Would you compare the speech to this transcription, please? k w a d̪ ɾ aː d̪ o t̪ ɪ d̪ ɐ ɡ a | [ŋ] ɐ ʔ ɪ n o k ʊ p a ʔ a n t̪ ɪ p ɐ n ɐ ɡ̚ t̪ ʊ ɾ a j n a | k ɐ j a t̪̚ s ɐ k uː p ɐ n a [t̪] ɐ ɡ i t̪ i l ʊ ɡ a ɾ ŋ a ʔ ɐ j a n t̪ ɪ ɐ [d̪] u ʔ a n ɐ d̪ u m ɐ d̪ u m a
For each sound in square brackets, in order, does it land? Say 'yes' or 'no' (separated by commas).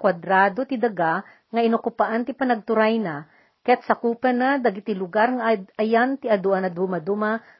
yes, no, yes